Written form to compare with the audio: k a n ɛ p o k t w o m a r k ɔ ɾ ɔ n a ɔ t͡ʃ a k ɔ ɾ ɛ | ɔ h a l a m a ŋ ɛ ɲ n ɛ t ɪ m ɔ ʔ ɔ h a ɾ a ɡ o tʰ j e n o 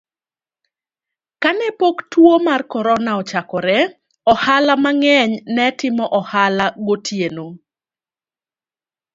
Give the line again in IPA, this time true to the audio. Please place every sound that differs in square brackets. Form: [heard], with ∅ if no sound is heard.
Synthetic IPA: k a n ɛ p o k t w o m a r k ɔ ɾ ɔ n a ɔ t͡ʃ a k ɔ ɾ ɛ | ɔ h a l a m a ŋ ɛ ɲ n ɛ t ɪ m ɔ ʔ ɔ h a [l] a ɡ o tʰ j e n o